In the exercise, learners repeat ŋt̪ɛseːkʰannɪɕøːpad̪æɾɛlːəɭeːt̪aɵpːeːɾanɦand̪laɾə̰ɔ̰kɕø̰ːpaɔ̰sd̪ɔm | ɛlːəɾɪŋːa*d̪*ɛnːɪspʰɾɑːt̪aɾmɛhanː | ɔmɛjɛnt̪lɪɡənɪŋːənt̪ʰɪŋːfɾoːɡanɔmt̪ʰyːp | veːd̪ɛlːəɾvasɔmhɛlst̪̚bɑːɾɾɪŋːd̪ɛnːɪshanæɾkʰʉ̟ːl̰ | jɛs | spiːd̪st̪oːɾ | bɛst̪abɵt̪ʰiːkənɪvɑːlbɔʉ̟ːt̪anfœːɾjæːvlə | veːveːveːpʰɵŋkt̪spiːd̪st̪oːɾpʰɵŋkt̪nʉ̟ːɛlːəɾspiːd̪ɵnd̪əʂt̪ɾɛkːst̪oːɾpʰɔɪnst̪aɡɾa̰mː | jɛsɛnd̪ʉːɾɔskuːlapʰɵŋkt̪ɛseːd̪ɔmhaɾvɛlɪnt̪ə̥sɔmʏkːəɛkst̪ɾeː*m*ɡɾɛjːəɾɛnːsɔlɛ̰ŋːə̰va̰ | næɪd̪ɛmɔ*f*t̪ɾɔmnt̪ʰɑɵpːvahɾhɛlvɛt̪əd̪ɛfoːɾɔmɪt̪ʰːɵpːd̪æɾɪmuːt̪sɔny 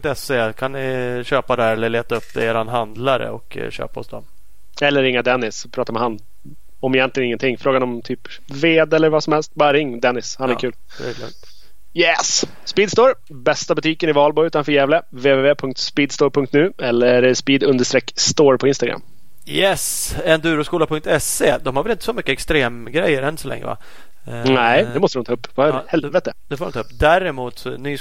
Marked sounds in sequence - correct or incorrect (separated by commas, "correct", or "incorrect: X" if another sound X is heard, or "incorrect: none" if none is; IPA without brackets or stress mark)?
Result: correct, correct, incorrect: s